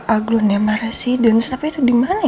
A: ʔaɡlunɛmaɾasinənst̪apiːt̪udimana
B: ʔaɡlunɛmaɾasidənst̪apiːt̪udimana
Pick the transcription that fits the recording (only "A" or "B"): B